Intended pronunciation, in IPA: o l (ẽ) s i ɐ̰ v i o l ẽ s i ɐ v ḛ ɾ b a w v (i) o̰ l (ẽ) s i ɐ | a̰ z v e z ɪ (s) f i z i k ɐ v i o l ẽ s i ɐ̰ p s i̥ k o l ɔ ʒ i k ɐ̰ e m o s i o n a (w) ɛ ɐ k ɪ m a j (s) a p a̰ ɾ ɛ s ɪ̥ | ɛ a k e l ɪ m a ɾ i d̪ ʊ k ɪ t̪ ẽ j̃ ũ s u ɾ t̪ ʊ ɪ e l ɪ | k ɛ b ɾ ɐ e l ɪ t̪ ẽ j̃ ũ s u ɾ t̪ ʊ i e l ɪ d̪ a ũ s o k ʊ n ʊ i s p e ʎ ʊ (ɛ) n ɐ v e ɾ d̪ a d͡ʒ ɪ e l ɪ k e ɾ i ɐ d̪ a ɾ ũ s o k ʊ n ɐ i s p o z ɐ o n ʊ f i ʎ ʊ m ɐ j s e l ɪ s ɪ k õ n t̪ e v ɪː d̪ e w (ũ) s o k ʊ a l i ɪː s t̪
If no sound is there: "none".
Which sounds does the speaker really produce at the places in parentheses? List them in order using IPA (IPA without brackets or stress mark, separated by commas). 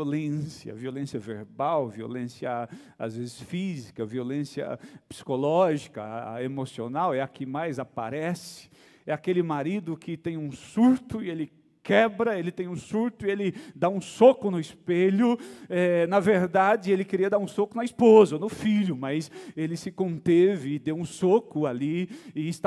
ẽ, i, ẽ, s, w, z, ɛ, ũ